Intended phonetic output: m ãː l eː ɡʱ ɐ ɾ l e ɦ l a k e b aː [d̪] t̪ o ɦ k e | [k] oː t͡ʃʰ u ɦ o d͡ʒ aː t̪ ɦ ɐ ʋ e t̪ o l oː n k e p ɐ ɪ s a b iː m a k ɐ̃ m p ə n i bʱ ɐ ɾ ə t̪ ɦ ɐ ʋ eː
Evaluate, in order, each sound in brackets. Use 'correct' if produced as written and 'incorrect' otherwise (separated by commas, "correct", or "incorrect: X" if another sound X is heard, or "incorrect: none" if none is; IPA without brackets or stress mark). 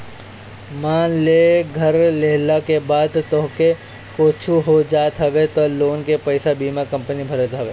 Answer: correct, correct